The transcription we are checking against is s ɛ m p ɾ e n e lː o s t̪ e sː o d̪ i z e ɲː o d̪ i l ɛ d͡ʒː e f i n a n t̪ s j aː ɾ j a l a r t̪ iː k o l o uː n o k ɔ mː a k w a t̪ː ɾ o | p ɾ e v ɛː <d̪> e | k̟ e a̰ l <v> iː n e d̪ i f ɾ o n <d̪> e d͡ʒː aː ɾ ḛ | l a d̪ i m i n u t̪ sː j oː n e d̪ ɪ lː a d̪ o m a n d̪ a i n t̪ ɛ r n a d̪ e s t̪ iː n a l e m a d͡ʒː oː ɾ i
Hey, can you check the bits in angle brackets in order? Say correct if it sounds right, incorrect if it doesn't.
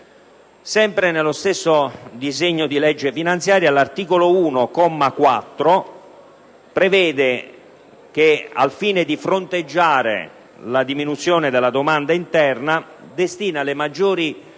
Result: correct, incorrect: f, incorrect: t̪

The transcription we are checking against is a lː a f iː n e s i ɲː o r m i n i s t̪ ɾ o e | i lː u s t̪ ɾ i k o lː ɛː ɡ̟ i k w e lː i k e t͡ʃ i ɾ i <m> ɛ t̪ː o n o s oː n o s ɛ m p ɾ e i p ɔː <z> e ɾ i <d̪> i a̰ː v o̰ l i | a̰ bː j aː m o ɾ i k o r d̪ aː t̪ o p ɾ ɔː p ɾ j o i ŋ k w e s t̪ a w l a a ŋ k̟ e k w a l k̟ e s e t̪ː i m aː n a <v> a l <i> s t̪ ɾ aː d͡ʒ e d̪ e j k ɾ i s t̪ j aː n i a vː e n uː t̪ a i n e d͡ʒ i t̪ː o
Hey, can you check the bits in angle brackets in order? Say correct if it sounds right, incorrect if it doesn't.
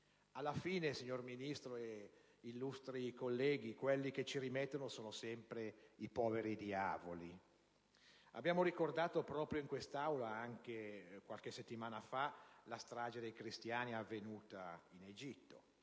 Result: correct, incorrect: v, correct, incorrect: f, incorrect: a

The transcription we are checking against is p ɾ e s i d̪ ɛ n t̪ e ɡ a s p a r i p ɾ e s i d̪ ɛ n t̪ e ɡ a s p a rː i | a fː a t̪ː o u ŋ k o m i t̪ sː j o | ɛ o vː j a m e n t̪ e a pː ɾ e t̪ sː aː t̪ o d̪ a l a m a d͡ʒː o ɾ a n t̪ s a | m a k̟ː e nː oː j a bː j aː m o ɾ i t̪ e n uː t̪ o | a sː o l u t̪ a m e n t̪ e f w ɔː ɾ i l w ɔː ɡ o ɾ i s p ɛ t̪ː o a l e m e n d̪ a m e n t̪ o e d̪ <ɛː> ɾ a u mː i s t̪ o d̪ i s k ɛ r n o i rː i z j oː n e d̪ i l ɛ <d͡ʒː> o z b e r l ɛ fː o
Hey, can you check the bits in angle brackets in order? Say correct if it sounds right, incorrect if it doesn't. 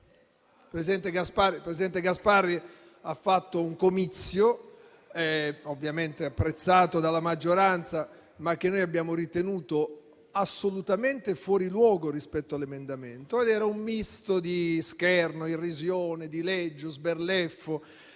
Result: correct, correct

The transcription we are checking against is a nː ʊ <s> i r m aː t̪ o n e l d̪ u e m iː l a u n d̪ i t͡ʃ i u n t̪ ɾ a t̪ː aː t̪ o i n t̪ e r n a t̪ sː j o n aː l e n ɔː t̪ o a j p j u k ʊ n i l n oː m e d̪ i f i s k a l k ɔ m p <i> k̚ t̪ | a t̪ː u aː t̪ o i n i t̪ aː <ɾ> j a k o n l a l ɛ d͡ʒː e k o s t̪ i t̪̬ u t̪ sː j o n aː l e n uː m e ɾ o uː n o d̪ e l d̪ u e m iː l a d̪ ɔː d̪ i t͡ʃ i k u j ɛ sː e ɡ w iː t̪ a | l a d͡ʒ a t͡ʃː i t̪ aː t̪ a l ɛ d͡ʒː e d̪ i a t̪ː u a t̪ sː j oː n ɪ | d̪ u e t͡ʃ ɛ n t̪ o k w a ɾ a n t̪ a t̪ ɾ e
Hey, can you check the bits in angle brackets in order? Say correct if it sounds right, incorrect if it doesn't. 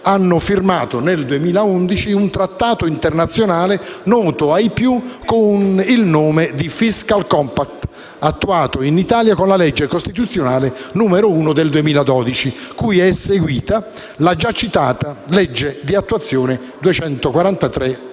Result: incorrect: f, incorrect: a, incorrect: l

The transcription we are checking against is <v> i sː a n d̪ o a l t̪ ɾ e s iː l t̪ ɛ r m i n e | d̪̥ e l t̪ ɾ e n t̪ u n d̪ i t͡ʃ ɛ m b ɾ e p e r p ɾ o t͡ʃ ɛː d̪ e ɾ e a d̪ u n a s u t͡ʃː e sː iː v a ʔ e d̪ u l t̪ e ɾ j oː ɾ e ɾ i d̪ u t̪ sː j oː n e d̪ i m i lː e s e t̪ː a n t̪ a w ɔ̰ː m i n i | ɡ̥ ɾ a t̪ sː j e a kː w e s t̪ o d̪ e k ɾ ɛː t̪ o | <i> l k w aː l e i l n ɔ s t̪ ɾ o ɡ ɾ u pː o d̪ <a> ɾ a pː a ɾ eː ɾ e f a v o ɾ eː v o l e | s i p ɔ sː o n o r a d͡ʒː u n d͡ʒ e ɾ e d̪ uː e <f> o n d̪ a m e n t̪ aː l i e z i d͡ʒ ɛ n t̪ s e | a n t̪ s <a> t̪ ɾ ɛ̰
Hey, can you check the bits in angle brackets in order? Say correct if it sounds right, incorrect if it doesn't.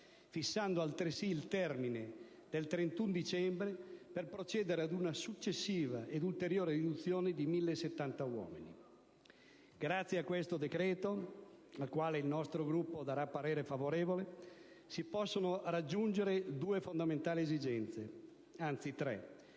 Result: incorrect: f, incorrect: a, correct, correct, incorrect: i

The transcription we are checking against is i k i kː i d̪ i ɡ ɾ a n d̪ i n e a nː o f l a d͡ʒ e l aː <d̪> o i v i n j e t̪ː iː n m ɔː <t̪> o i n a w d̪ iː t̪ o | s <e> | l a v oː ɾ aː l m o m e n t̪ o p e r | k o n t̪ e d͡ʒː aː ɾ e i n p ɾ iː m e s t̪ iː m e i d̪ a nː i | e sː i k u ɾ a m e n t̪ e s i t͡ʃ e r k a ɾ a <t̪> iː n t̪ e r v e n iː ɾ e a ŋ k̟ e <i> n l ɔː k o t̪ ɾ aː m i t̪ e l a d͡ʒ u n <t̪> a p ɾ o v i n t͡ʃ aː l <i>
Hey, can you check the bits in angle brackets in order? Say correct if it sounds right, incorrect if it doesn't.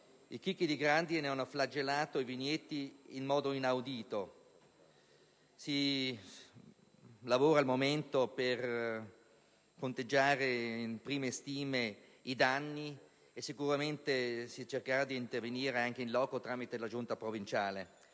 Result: incorrect: t̪, incorrect: d̪, incorrect: i, incorrect: d̪, correct, correct, incorrect: e

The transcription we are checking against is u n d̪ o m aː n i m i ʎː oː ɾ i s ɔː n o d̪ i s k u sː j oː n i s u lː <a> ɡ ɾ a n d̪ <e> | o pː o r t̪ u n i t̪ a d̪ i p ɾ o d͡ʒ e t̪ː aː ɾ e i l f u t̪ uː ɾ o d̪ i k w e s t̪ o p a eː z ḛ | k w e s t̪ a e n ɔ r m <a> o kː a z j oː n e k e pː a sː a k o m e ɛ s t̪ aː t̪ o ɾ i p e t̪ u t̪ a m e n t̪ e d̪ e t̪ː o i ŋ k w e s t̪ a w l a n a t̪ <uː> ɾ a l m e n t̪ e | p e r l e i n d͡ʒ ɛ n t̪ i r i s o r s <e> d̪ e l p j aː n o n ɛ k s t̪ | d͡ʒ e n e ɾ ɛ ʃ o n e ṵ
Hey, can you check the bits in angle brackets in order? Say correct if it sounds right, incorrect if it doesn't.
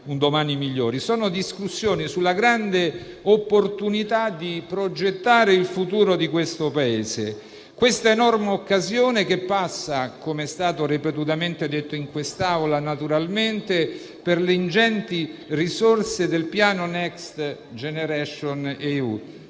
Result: correct, correct, incorrect: e, incorrect: u, correct

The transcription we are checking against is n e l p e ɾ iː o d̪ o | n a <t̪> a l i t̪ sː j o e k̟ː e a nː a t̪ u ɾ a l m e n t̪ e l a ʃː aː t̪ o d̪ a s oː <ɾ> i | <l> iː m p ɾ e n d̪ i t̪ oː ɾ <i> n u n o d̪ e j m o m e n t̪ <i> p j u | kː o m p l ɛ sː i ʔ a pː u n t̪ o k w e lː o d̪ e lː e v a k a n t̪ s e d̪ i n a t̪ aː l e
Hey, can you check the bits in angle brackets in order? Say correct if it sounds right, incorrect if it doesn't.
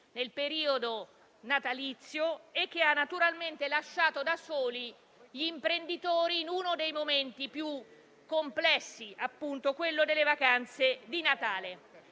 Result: correct, incorrect: l, incorrect: ʎ, incorrect: iː, correct

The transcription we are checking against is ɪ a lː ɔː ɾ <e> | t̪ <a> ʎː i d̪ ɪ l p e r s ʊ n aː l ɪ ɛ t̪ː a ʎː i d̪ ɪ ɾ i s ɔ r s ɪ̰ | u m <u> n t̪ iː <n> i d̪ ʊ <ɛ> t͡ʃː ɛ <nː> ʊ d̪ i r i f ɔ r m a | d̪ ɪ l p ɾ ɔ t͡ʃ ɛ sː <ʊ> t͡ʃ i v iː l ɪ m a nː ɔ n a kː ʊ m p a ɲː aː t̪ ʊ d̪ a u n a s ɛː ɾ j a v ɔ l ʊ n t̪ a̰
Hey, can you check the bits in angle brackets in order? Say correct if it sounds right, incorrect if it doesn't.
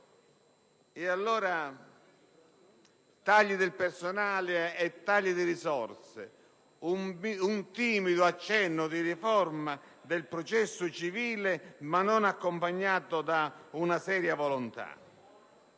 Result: incorrect: a, correct, correct, incorrect: m, incorrect: a, correct, correct

